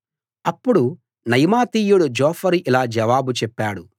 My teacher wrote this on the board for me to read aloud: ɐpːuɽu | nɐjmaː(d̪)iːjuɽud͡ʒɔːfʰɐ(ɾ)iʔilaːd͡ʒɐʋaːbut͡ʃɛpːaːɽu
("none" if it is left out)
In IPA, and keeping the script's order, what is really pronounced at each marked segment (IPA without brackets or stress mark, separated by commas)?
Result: t̪, ɾ